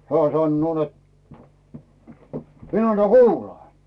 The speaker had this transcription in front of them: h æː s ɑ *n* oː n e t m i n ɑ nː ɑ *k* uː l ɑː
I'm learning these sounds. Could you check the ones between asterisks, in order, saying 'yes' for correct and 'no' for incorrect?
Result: no, yes

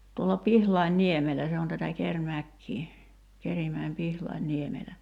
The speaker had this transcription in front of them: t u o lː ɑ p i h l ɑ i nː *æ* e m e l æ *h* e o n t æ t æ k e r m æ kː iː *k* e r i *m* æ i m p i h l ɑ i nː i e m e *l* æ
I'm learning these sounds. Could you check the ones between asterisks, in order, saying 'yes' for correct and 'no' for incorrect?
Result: no, no, yes, yes, yes

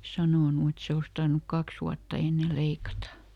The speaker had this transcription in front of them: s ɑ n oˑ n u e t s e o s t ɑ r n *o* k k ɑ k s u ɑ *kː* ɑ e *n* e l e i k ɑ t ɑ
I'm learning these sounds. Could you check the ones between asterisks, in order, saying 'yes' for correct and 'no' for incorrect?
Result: no, no, no

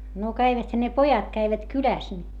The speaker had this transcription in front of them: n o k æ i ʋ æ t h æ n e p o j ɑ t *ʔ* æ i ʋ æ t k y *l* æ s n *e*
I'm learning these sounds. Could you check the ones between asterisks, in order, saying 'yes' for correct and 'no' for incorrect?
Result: no, yes, no

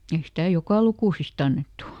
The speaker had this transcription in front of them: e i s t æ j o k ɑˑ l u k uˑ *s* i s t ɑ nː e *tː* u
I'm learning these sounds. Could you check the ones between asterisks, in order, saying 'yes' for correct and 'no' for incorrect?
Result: yes, yes

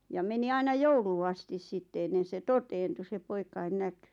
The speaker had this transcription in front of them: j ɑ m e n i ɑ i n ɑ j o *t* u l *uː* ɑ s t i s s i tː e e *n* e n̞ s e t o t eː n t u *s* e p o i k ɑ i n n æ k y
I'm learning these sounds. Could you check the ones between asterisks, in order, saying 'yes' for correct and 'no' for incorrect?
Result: no, yes, no, yes

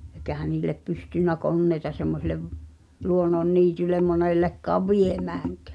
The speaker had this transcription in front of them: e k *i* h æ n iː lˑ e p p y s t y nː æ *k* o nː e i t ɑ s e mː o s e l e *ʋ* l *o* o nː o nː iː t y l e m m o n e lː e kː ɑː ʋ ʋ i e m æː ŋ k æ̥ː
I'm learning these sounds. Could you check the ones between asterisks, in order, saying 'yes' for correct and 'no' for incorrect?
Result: no, yes, yes, no

